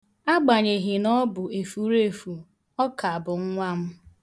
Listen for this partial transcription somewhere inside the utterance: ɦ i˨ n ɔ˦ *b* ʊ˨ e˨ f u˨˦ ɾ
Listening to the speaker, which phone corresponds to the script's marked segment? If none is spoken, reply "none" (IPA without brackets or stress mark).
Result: b